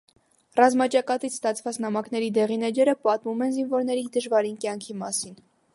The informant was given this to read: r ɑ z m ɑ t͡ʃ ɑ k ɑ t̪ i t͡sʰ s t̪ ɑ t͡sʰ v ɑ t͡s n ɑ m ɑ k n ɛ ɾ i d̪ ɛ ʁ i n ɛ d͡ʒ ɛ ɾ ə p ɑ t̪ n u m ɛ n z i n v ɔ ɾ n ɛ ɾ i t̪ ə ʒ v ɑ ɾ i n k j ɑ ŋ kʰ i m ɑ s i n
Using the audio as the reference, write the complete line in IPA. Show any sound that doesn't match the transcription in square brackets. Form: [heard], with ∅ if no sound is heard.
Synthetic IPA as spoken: r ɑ z m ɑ t͡ʃ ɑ k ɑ t̪ i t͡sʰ s t̪ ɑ t͡sʰ v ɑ t͡s n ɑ m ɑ k n ɛ ɾ i d̪ ɛ ʁ i n ɛ d͡ʒ ɛ ɾ ə p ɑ t̪ [m] u m ɛ n z i n v ɔ ɾ n ɛ ɾ i [d̪] ə ʒ v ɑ ɾ i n k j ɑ ŋ kʰ i m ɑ s i n